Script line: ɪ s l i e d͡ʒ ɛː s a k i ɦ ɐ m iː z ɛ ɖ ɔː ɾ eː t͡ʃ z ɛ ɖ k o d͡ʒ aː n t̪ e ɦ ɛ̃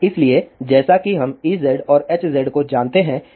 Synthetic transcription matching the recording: ɪ s l i e d͡ʒ ɛː s a k i ɦ ɐ m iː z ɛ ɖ ɔː ɾ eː t͡ʃ z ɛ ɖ k o d͡ʒ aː n t̪ e ɦ ɛ̃